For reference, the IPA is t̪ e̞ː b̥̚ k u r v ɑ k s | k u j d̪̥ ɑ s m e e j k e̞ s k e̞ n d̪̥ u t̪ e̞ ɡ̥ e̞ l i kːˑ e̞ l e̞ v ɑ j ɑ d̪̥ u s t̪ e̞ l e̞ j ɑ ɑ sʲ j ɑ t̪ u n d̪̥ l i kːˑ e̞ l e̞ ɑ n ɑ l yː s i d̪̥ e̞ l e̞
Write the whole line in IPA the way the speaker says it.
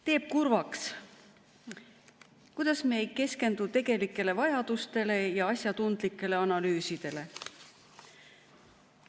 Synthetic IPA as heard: t̪ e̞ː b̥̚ k u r v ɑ k s | k u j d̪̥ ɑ s m e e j k e̞ s k e̞ n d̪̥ u t̪ e̞ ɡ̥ e̞ l i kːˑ e̞ l e̞ v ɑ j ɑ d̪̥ u s t̪ e̞ l e̞ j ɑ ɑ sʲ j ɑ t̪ u n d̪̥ l i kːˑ e̞ l e̞ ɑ n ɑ l yː s i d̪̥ e̞ l e̞